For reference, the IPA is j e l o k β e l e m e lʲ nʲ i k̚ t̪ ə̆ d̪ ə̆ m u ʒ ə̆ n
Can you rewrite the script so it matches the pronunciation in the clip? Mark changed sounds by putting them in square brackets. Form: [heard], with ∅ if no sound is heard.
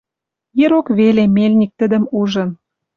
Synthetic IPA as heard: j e [ɾ] o k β e l e m e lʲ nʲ i k̚ t̪ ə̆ d̪ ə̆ m u ʒ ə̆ n